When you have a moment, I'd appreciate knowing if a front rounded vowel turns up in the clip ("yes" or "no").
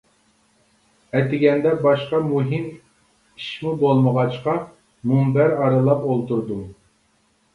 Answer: no